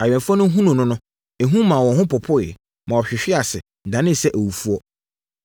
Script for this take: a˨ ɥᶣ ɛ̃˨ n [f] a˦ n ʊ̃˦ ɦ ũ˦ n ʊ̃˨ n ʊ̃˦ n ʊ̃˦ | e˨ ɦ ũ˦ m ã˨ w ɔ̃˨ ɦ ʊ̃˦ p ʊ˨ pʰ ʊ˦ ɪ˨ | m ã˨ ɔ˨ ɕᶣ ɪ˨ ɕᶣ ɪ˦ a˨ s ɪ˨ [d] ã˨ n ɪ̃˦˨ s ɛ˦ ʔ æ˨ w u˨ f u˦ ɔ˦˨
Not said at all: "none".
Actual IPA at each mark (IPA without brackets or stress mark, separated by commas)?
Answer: f, d